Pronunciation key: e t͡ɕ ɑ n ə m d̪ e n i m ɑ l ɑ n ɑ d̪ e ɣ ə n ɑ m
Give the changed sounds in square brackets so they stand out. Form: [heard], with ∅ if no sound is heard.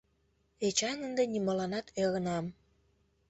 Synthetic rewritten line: e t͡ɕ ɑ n ə [n] d̪ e n i m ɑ l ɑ n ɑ [t̪] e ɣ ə n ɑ m